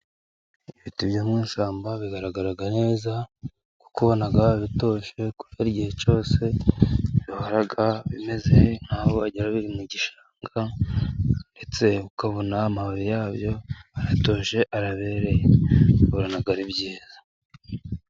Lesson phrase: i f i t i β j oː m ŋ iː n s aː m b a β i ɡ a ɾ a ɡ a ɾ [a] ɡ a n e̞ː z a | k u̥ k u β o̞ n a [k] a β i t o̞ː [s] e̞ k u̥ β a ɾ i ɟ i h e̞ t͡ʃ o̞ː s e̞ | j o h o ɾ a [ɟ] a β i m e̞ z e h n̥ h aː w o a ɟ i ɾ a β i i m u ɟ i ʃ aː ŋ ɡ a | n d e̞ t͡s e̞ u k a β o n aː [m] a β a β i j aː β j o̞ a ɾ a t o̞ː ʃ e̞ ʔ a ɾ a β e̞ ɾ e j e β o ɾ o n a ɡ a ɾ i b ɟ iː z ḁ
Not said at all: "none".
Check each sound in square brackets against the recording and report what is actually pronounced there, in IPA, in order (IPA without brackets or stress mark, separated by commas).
a, ɡ, ʃ, ɡ, m